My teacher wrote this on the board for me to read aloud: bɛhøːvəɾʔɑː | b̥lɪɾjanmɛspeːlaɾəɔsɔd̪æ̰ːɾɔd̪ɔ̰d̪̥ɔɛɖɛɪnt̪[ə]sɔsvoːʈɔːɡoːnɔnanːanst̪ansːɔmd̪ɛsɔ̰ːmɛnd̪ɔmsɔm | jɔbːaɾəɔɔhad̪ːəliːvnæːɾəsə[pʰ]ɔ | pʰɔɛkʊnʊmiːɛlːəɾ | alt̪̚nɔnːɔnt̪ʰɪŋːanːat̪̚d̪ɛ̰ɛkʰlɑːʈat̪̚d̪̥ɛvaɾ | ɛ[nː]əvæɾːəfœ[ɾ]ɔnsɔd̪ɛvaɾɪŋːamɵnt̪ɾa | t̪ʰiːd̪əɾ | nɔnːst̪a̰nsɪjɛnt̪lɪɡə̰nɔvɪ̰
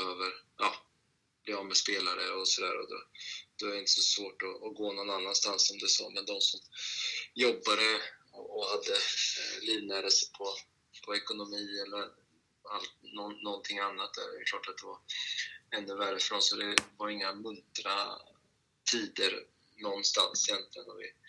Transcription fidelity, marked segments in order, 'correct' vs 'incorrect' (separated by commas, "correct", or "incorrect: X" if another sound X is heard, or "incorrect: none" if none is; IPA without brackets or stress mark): correct, correct, correct, correct